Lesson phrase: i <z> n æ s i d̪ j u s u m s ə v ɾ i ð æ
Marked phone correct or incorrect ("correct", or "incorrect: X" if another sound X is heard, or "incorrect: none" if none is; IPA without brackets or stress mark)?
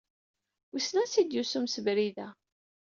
incorrect: s